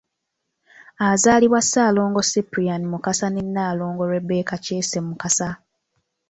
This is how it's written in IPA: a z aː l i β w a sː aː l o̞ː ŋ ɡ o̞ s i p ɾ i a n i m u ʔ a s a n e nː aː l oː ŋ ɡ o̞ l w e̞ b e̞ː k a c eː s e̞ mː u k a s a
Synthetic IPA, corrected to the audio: a z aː l i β w a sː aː l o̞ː ŋ ɡ o̞ s i p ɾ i a n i m u k a s a n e nː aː l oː ŋ ɡ o̞ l w e̞ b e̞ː k a c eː s e̞ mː u k a s a